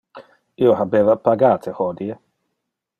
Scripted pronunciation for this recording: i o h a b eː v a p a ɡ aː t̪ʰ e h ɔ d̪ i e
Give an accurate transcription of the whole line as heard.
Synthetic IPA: i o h a b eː v a p a ɡ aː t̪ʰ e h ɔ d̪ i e